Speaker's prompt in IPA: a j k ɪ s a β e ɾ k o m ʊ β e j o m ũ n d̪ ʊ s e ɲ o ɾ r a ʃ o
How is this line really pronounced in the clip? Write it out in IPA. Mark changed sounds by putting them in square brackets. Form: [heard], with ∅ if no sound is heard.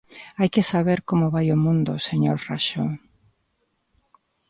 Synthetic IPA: a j k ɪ s a β e ɾ k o m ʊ β [a] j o m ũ n d̪ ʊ s e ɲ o ɾ r a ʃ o